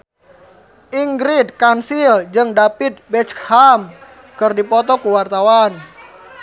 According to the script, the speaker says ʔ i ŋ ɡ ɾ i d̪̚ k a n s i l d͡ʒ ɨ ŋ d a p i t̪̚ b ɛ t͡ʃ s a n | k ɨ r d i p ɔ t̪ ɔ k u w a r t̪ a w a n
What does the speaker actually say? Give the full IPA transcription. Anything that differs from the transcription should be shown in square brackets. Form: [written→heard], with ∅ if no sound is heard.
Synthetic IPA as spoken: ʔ i ŋ ɡ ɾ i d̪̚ k a n s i l d͡ʒ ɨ ŋ d a p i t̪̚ b ɛ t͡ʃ [s→h] a [n→m] | k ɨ r d i p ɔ t̪ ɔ k u w a r t̪ a w a n